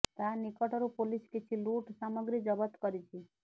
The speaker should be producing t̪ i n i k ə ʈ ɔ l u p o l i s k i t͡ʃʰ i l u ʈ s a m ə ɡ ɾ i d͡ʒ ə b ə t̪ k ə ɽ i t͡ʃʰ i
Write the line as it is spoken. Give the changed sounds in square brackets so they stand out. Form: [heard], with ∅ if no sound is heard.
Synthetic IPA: t̪ [a] n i k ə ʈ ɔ [ɾ] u p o l i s k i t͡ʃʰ i l u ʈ s a m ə ɡ ɾ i d͡ʒ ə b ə t̪ k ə [ɾ] i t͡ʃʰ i